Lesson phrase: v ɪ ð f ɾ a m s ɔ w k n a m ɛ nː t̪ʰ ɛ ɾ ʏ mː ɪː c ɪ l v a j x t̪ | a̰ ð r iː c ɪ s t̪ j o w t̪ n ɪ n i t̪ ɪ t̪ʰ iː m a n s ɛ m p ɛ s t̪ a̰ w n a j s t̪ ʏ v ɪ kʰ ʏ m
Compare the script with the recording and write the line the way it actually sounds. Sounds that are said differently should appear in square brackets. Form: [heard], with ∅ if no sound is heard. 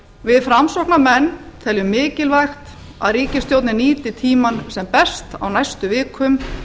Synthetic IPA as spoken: v ɪ ð f ɾ a m s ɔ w k n a m ɛ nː t̪ʰ ɛ [l] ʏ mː ɪː c ɪ l v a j x t̪ | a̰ ð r iː c ɪ s t̪ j o w t̪ n ɪ n [iː] t̪ ɪ t̪ʰ iː m a n s ɛ m p ɛ s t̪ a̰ w n a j s t̪ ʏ v [ɪː] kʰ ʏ m